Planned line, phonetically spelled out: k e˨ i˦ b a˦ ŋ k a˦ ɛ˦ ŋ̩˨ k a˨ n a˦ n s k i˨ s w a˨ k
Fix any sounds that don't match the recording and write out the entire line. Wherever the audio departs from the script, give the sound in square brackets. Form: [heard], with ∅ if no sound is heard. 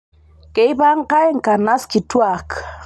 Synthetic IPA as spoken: k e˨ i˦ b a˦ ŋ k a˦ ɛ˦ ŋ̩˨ k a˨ n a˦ [∅] s k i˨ [t] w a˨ k